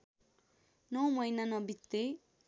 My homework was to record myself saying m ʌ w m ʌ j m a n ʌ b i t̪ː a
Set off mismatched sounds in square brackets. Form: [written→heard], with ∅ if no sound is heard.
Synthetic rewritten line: [m→n] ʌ w m ʌ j [m→n] a n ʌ b i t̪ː [a→e]